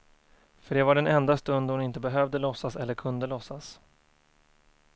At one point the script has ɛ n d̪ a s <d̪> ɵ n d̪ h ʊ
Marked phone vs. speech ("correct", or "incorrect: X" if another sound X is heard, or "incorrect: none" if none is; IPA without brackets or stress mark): incorrect: t̪